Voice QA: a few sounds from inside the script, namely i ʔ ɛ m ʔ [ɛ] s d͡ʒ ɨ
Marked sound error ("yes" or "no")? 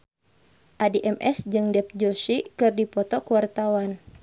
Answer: no